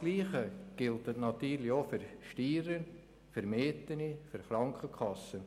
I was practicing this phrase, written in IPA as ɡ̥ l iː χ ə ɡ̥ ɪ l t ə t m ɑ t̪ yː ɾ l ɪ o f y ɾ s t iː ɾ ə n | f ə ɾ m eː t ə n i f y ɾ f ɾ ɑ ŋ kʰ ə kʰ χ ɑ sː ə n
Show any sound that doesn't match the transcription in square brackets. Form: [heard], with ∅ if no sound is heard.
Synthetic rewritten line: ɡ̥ l iː χ ə ɡ̥ ɪ l t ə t [n] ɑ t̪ yː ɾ l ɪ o f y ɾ [ʃ] t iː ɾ ə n | f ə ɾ m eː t ə n i f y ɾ [χ] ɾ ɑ ŋ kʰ ə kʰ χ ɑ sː ə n